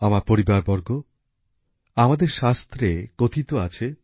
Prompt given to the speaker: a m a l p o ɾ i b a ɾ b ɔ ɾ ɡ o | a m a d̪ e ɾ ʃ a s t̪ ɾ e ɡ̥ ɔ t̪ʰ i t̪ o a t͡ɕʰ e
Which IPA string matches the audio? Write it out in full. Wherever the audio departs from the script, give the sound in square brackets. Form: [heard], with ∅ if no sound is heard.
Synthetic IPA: a m a [ɾ] p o ɾ i b a ɾ b ɔ ɾ ɡ o | a m a d̪ e ɾ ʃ a s t̪ ɾ e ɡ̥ [o] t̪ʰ i t̪ o a t͡ɕʰ e